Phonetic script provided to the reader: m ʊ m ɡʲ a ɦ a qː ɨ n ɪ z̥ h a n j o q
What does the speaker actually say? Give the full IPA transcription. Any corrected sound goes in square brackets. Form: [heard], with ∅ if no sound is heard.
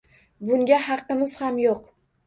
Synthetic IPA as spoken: [b] ʊ [ŋ] ɡʲ a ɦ [ɑ] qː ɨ [m] ɪ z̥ h a [m] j o q